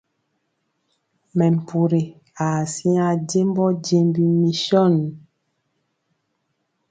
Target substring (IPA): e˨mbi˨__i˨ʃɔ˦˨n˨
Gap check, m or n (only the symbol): m